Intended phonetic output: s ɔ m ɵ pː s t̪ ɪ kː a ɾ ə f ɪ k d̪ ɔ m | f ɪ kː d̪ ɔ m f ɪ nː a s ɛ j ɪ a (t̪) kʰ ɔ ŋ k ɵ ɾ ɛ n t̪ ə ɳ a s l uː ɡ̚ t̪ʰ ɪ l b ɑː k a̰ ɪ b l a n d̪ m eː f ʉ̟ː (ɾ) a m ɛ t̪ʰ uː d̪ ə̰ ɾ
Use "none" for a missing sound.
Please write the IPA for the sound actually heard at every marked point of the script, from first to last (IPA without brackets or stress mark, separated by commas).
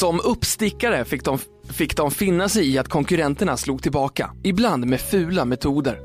t̪, l